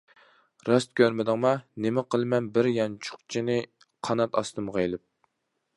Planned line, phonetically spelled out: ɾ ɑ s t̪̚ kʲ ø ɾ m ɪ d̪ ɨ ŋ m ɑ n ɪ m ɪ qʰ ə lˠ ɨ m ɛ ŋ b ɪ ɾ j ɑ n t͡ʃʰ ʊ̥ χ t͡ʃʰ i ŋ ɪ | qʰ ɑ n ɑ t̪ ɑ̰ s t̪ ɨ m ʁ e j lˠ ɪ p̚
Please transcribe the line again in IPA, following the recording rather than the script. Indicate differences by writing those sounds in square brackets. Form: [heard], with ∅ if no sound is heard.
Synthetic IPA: ɾ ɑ s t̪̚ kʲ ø ɾ m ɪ d̪ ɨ ŋ m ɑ n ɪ m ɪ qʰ ə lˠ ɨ m ɛ [n] b ɪ ɾ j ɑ n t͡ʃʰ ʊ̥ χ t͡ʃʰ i [n] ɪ | qʰ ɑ n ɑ t̪ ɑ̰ s t̪ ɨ m ʁ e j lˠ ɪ p̚

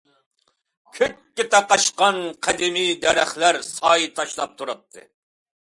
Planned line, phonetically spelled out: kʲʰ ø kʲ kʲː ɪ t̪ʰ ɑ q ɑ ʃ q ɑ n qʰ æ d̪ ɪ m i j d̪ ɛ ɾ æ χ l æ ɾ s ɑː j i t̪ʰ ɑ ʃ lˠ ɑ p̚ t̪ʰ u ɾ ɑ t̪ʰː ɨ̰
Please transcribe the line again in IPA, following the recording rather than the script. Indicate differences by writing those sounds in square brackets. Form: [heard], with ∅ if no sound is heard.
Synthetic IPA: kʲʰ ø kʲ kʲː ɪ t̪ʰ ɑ q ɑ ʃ q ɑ n qʰ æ d̪ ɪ m i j d̪ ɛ ɾ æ χ l æ ɾ s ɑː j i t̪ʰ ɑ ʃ lˠ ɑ p̚ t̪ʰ u ɾ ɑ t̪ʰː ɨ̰

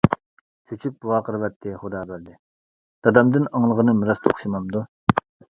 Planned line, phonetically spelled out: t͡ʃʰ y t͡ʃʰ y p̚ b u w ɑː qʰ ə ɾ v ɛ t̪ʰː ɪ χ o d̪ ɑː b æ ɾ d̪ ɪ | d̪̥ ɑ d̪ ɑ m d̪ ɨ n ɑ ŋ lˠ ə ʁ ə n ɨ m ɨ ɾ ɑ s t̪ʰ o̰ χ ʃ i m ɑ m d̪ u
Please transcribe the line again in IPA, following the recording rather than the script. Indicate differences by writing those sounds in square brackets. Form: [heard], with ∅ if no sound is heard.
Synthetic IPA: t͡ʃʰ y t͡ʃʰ y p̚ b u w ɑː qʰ ə ɾ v ɛ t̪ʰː ɪ χ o d̪ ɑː b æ ɾ d̪ ɪ | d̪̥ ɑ d̪ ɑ m d̪ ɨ n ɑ ŋ lˠ ə ʁ ə n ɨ m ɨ ɾ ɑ s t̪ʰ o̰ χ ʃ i m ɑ m d̪ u

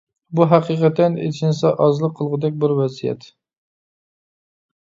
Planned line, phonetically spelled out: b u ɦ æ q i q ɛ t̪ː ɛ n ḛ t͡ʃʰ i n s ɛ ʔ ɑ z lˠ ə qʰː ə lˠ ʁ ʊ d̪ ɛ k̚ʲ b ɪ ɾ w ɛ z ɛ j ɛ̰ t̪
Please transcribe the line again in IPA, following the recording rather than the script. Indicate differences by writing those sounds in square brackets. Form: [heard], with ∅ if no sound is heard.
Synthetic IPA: b u ɦ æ q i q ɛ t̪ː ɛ n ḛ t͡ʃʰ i n s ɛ ʔ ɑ z lˠ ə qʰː ə lˠ ʁ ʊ d̪ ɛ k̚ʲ b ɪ ɾ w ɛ z [i] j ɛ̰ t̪

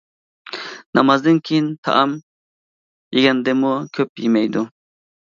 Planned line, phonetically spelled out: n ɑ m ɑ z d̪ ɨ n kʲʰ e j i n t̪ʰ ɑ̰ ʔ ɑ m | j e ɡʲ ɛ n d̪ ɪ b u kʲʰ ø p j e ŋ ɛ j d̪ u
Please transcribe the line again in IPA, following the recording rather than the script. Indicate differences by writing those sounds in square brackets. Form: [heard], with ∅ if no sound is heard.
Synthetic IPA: n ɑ m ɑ z d̪ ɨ n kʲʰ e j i n t̪ʰ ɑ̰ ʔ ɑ m | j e ɡʲ ɛ n d̪ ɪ [m] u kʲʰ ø p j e [m] ɛ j d̪ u

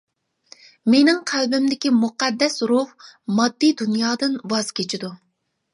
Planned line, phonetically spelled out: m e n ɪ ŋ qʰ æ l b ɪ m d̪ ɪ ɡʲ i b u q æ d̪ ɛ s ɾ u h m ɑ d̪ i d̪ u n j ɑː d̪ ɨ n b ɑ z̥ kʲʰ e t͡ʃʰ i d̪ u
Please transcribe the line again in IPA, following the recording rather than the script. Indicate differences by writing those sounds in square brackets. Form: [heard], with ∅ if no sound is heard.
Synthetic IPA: m e n ɪ ŋ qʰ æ l b ɪ m d̪ ɪ [kʲ] i [m] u q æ [d̪ː] ɛ s ɾ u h m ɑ [d̪ː] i d̪ u n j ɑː d̪ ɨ n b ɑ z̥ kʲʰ e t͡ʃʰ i d̪ u

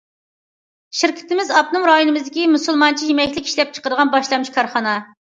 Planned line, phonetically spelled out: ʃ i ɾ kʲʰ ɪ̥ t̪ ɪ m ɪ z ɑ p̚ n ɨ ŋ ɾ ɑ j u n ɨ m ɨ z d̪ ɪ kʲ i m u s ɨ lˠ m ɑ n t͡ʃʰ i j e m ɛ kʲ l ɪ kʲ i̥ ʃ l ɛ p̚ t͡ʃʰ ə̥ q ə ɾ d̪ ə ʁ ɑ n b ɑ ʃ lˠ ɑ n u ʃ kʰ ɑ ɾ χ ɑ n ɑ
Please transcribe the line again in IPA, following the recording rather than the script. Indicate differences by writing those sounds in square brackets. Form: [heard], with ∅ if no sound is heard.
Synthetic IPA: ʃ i ɾ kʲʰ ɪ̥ t̪ ɪ m ɪ z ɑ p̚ n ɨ ŋ ɾ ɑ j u n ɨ m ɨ z d̪ ɪ kʲ i m u s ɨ lˠ m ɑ n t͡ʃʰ i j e m ɛ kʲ l ɪ kʲ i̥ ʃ l ɛ p̚ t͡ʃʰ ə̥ q ə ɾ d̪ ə ʁ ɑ n b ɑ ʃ lˠ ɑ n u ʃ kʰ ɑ ɾ χ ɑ n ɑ

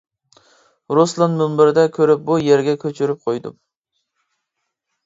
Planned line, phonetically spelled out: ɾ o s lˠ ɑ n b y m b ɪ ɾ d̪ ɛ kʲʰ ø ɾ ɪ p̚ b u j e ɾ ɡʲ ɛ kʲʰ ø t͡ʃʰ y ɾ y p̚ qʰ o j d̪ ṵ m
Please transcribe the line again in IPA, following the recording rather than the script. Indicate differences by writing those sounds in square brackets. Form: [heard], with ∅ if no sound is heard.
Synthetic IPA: ɾ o s lˠ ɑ n [m] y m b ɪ ɾ d̪ ɛ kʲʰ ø ɾ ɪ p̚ b u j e ɾ ɡʲ ɛ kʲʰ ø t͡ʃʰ y ɾ y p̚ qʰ o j d̪ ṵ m

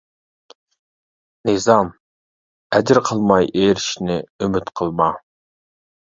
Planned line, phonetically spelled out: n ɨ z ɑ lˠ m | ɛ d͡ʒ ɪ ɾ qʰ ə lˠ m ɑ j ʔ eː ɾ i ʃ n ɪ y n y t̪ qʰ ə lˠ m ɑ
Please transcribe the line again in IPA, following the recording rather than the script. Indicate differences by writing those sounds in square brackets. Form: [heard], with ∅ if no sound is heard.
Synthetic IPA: n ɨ z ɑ [∅] m | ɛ d͡ʒ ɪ ɾ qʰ ə lˠ m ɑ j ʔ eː ɾ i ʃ n ɪ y [m] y t̪ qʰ ə lˠ m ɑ

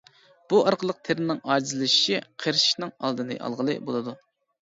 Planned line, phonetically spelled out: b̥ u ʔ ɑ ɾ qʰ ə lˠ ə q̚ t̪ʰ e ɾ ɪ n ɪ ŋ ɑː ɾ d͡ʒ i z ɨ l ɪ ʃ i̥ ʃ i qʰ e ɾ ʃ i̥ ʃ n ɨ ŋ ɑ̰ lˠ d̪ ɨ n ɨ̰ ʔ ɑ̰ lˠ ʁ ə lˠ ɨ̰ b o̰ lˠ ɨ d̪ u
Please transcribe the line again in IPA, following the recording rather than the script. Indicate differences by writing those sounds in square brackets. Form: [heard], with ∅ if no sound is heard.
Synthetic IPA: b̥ u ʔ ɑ ɾ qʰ ə lˠ ə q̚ t̪ʰ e ɾ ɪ n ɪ ŋ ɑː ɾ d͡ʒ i z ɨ l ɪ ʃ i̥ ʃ i qʰ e ɾ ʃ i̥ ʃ n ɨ ŋ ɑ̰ lˠ d̪ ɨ n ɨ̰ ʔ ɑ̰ lˠ ʁ ə lˠ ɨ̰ b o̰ lˠ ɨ d̪ u

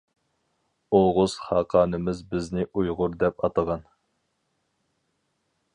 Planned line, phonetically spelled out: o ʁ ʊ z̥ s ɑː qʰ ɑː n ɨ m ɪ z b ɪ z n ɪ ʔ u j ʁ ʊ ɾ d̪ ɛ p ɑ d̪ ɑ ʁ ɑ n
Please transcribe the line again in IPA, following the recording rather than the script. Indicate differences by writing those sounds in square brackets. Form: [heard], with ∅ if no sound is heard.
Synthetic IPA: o ʁ ʊ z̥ [χ] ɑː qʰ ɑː n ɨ m ɪ z b ɪ z n ɪ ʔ u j ʁ ʊ ɾ d̪ ɛ p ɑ [t̪] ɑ ʁ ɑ n

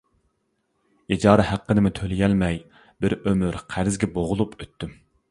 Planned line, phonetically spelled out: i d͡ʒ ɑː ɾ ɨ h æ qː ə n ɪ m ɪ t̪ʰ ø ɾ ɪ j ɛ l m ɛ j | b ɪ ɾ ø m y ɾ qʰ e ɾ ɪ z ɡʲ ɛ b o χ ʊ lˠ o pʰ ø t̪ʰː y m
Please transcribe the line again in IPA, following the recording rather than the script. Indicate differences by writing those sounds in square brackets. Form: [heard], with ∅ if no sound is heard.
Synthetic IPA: i d͡ʒ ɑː ɾ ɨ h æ qː ə n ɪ m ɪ t̪ʰ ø [l] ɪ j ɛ l m ɛ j | b ɪ ɾ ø m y ɾ qʰ [æ] ɾ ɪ z ɡʲ ɛ b o [ʁ] ʊ lˠ [u] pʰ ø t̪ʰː y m

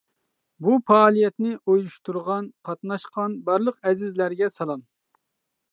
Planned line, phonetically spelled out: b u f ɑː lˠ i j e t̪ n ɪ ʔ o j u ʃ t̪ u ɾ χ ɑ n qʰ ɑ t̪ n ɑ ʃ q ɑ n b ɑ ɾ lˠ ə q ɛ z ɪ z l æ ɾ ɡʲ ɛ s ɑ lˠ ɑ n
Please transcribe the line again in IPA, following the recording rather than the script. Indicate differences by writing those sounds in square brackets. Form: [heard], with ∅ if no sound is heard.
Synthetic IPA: b u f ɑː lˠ i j [ɛ] t̪ n ɪ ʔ o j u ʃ t̪ u ɾ [ʁ] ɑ n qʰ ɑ t̪ n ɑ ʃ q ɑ n b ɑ ɾ lˠ ə q ɛ z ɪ z l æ ɾ ɡʲ ɛ s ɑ lˠ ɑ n

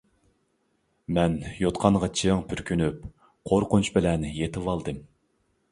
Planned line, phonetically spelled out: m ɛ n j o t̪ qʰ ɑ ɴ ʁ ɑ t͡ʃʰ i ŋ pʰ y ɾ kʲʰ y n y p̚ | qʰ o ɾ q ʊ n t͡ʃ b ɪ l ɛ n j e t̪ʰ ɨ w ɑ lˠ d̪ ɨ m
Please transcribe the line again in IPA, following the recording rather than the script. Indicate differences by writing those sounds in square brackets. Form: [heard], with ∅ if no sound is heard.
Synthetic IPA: m ɛ n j o t̪ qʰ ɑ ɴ ʁ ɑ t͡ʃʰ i ŋ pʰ y ɾ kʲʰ y n y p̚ | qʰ o ɾ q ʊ n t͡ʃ b ɪ l ɛ n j e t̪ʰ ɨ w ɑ lˠ d̪ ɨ m

